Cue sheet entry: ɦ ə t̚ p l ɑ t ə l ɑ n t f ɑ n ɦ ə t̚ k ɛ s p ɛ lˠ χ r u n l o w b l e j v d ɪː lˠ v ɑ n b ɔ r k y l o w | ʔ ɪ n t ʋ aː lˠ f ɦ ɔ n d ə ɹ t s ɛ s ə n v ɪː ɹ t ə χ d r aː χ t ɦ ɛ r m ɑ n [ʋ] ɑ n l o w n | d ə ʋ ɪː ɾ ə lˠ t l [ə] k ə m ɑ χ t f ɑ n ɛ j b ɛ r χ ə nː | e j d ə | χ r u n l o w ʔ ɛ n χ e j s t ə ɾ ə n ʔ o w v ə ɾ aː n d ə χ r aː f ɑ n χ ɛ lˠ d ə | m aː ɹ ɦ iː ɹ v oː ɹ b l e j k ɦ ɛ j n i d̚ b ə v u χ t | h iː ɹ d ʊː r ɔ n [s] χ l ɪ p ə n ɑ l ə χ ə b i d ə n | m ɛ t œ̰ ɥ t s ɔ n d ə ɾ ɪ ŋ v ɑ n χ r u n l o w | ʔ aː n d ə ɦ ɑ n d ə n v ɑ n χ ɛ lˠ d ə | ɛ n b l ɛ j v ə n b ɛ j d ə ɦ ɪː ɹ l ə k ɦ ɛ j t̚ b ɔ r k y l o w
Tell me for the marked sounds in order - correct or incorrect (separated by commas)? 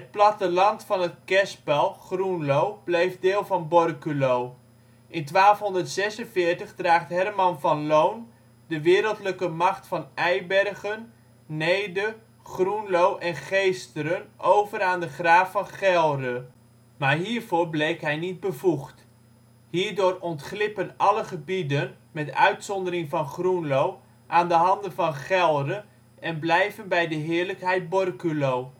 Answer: incorrect, correct, incorrect